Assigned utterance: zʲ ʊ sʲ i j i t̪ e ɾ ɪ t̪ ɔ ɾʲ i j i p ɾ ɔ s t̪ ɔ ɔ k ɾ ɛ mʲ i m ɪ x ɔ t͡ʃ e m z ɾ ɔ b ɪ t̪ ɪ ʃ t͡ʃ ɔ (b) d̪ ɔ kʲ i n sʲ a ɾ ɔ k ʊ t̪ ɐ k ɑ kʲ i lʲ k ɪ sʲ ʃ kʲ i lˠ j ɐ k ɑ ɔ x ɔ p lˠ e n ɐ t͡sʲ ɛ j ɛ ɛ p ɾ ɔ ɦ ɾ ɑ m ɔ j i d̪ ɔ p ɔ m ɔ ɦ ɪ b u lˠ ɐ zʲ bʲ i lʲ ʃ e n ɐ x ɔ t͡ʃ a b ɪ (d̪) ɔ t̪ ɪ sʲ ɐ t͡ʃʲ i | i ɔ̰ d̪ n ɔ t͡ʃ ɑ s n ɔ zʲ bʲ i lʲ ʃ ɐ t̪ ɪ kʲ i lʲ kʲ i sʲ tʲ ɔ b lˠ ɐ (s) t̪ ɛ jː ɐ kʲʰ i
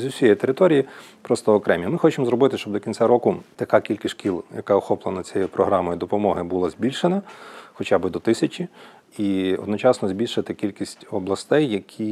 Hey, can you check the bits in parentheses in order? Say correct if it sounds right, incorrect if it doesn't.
correct, correct, correct

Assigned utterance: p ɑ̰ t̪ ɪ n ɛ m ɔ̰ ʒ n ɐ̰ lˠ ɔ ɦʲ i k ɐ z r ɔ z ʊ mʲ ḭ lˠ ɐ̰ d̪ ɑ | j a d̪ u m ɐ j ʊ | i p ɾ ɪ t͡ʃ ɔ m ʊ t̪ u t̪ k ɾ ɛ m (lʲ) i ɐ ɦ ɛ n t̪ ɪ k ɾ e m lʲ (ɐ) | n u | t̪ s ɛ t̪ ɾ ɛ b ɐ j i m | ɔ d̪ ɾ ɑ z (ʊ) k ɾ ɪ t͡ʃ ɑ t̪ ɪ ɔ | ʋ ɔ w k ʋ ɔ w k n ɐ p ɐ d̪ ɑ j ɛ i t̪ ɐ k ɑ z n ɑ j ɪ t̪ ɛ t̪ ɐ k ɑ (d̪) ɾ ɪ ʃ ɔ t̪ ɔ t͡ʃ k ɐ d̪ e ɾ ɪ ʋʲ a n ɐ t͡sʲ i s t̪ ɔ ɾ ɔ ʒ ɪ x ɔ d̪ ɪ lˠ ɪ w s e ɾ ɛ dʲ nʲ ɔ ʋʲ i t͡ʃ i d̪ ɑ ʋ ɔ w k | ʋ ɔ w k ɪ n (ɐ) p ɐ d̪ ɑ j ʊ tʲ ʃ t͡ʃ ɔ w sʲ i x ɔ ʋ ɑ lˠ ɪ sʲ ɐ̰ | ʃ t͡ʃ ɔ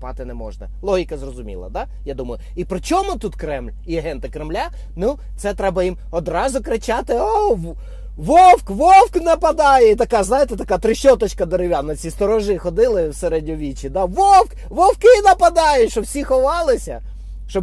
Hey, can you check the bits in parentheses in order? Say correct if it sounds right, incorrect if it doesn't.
correct, incorrect: a, correct, incorrect: t̪, correct

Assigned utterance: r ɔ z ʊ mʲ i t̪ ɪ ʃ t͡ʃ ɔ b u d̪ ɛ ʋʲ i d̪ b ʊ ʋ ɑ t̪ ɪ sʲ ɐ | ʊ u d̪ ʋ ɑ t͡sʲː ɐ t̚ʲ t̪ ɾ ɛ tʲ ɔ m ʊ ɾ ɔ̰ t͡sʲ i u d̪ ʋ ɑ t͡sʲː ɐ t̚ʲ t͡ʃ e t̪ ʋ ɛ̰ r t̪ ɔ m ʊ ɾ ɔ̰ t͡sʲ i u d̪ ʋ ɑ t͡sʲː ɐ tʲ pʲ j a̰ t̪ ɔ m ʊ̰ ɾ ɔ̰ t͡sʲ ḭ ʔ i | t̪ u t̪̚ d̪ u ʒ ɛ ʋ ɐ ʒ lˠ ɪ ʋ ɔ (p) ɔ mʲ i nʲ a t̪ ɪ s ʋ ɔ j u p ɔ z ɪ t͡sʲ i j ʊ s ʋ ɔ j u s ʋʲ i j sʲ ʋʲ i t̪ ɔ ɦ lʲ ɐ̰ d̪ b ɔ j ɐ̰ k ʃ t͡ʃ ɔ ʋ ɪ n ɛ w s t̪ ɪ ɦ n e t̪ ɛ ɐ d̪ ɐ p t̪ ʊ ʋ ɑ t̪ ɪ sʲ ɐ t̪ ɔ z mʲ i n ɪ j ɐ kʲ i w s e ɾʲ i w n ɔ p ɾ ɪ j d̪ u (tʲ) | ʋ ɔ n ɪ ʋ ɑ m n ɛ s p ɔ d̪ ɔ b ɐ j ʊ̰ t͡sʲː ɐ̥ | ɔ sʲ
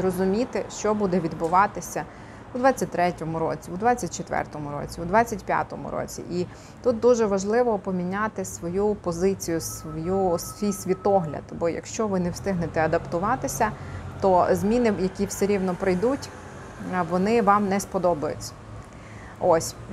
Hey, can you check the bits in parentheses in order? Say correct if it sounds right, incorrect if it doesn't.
correct, correct

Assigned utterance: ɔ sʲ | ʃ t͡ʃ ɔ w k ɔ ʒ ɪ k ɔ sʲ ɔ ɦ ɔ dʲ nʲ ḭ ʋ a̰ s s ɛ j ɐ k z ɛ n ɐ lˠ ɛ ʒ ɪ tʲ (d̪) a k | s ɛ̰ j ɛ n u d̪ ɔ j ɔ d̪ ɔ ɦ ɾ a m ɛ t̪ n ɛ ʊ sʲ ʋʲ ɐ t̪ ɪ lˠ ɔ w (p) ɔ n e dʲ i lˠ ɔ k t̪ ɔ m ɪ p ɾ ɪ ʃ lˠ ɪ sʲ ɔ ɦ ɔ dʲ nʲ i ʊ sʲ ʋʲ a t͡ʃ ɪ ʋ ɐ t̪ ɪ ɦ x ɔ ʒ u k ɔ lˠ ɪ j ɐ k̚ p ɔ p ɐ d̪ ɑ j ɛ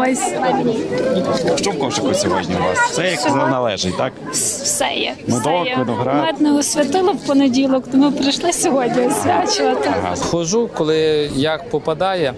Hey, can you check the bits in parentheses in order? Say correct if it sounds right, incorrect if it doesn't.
incorrect: t̪, correct

